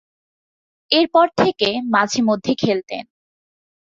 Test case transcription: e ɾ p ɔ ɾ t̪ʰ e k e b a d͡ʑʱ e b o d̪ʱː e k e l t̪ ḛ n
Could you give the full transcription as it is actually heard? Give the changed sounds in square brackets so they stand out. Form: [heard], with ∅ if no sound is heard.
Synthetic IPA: e ɾ p ɔ ɾ t̪ʰ e k e [m] a d͡ʑʱ e [m] o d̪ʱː e [kʰ] e l t̪ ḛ n